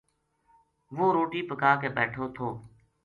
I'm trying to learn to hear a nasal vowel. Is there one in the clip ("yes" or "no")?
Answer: no